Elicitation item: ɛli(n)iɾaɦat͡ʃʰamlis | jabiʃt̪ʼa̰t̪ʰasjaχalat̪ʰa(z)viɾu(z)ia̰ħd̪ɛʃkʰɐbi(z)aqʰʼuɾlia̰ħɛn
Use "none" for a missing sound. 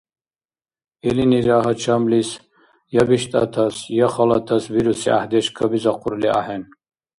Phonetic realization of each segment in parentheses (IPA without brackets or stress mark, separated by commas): n, s, s, z